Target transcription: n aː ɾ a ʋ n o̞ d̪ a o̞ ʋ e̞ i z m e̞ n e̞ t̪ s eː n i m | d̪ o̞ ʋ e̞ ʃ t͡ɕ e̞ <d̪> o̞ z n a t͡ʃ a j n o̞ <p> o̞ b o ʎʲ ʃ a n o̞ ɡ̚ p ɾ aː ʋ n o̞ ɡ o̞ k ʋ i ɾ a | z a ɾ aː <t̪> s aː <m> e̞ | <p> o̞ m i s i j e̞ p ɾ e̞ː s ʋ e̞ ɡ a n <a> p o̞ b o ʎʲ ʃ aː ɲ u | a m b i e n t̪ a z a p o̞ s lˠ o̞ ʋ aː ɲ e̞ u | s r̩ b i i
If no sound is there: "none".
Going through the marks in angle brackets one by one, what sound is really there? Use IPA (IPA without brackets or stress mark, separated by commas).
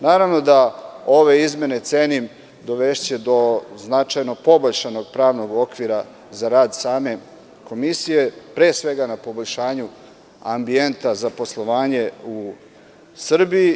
d̪, p, d̪, m, k, a